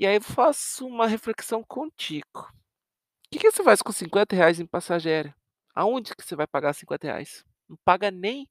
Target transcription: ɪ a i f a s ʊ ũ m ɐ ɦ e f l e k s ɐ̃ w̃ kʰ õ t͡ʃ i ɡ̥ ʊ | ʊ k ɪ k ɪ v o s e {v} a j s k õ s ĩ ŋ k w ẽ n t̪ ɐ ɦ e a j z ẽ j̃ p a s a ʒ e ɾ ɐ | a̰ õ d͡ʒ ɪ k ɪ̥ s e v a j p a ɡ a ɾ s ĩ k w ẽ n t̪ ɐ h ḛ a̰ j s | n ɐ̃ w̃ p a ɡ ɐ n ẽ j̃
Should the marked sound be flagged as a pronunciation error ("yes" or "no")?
yes